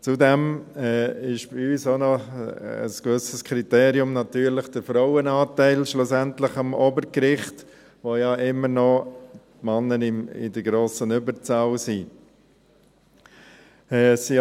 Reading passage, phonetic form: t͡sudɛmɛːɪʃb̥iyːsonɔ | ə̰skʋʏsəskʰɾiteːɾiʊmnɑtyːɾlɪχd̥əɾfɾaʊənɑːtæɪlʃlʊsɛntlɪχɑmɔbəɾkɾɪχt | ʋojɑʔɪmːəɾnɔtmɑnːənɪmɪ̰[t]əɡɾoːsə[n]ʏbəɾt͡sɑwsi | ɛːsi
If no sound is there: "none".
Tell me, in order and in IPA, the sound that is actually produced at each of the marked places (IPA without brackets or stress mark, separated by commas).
d, n